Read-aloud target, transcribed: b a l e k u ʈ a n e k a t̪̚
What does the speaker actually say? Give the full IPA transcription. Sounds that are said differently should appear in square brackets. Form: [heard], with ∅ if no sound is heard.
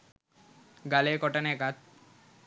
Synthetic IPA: [ɡ] a l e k [ɔ] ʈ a n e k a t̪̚